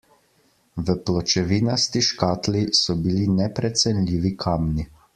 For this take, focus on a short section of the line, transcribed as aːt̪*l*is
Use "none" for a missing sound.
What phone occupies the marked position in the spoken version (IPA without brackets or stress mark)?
l